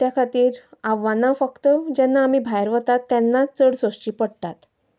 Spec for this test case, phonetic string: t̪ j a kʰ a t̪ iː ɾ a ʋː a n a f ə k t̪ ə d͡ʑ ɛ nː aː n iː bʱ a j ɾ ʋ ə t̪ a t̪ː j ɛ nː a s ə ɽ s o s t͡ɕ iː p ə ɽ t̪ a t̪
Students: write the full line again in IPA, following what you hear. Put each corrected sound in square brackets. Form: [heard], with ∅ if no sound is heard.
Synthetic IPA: t̪ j a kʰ a t̪ iː ɾ a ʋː a n a f ə k t̪ ə d͡ʑ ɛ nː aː [m] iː bʱ a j ɾ ʋ ə t̪ a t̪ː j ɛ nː a [t͡s] ə ɽ s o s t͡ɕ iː p ə ɽ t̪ a t̪